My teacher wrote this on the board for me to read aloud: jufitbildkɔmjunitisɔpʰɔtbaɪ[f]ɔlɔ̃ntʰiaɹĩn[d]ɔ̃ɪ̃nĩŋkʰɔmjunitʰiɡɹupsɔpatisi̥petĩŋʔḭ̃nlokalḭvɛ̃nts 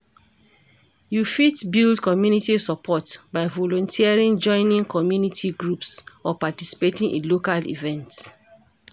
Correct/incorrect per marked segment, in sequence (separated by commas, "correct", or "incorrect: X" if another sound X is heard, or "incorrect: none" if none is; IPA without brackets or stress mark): incorrect: v, incorrect: d͡ʒ